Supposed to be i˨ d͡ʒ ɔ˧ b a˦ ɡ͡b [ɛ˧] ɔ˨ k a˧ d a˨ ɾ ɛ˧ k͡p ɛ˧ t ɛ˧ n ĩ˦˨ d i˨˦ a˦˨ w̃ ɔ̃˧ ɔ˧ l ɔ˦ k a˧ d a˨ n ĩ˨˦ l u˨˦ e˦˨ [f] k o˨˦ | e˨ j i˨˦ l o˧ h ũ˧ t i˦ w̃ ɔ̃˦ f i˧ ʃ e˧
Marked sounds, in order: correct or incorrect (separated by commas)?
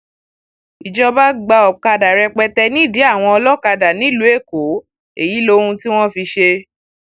incorrect, incorrect